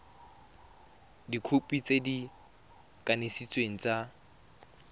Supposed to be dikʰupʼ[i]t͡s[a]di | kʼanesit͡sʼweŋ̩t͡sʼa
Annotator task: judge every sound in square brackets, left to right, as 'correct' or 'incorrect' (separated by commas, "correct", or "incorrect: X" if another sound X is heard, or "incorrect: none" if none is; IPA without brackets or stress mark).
correct, incorrect: e